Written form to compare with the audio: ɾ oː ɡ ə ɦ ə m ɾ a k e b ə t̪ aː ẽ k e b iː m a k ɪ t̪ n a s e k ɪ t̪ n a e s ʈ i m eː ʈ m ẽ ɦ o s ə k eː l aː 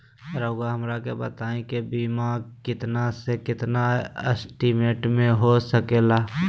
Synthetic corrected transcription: ɾ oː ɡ a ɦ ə m ɾ a k e b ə t̪ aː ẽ k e b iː m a k ɪ t̪ n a s e k ɪ t̪ n a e s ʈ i m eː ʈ m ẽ ɦ o s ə k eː l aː